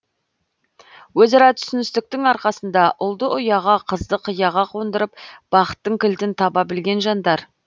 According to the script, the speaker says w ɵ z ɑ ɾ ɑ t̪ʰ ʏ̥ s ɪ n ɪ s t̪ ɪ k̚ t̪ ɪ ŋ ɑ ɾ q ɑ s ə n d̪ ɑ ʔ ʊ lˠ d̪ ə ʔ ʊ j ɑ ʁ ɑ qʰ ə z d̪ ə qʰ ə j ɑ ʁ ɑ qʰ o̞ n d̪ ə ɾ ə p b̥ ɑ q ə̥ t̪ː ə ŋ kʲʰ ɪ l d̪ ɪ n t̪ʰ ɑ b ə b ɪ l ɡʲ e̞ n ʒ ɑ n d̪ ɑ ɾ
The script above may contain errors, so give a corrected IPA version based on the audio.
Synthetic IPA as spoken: w ɵ z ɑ ɾ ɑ t̪ʰ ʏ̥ s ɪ n ɪ s t̪ ɪ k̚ t̪ ɪ ŋ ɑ ɾ q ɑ s ə n d̪ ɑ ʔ ʊ lˠ d̪ ə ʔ ʊ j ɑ ʁ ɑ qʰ ə z d̪ ə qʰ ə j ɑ ʁ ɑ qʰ o̞ n d̪ ə ɾ ə p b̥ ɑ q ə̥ t̪ː ə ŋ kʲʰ ɪ l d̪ ɪ n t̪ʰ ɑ b ɑ b ɪ l ɡʲ e̞ n ʒ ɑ n d̪ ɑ ɾ